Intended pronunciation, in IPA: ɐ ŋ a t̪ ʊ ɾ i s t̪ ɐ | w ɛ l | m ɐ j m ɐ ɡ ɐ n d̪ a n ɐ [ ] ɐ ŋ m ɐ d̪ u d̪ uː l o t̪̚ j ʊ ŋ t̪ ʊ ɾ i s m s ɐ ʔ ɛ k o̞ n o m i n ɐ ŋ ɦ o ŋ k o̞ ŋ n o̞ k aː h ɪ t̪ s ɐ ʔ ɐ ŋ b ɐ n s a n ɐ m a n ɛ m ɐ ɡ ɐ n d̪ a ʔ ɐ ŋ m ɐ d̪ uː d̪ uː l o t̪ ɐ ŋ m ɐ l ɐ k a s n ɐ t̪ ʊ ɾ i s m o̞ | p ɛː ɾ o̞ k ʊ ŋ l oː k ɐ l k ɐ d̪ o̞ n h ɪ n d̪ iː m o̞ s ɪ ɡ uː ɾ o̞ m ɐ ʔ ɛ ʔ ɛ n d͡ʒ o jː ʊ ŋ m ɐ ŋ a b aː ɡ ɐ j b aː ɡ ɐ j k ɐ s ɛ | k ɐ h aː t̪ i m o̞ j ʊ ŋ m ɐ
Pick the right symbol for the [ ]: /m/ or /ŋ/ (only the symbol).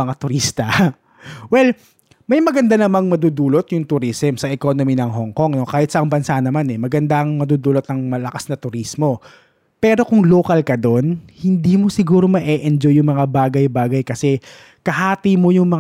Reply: m